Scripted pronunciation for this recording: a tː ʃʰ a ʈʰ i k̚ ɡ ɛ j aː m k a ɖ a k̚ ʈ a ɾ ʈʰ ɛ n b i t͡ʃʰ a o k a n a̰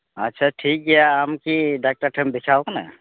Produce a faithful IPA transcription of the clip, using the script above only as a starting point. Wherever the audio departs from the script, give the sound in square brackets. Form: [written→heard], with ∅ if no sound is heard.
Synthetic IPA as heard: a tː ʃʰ a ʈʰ i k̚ ɡ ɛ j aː m k [a→i] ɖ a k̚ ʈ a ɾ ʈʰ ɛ [n→m] b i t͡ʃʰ a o k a n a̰